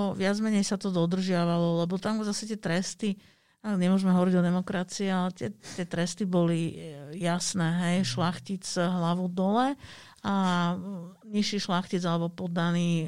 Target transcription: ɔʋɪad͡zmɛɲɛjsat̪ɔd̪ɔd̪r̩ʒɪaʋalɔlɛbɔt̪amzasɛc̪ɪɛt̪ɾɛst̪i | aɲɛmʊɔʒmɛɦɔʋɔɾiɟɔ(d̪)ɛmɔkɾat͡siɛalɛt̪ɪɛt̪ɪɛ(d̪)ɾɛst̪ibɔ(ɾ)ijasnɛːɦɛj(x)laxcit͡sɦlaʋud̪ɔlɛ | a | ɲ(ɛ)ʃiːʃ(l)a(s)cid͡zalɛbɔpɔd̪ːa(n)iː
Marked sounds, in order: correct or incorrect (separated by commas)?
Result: correct, incorrect, incorrect, incorrect, incorrect, correct, incorrect, correct